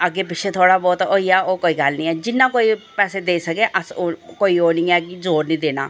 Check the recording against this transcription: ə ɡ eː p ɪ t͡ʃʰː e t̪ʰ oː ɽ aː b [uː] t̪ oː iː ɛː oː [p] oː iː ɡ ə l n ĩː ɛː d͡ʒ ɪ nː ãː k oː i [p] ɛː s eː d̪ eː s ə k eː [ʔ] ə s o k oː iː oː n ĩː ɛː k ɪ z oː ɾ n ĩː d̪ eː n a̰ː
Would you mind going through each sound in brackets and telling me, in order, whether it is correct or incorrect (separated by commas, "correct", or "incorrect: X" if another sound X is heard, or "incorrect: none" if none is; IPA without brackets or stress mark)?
incorrect: ɔː, incorrect: k, correct, correct